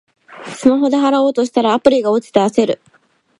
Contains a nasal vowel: no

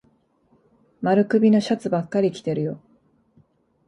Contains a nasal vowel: no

